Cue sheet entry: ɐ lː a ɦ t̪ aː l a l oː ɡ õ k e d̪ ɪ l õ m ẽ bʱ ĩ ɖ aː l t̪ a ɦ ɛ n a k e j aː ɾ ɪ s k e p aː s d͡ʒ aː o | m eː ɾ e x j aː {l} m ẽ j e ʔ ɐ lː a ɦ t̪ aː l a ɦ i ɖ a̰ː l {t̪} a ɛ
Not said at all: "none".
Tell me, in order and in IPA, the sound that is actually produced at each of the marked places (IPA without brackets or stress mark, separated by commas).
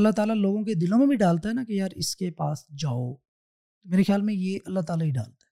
l, t̪